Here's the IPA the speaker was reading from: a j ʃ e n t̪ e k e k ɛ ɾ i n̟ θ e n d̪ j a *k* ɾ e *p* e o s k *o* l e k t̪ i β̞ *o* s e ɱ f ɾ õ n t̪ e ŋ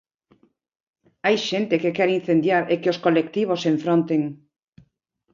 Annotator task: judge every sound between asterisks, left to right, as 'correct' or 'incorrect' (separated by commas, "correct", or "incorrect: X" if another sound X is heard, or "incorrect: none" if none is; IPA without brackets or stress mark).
incorrect: none, incorrect: k, correct, correct